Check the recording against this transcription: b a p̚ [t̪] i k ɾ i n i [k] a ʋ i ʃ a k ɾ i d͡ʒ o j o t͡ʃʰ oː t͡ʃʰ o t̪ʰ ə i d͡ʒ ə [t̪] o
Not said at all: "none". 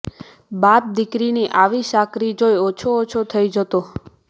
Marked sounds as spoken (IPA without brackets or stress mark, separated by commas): d̪, ʔ, t̪